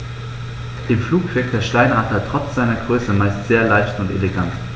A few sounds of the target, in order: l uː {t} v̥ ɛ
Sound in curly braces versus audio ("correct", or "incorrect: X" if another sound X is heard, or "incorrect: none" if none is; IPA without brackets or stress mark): incorrect: k